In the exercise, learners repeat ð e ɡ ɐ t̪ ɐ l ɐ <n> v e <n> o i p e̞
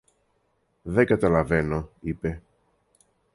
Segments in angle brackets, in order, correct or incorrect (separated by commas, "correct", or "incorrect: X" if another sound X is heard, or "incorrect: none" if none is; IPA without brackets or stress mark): incorrect: none, correct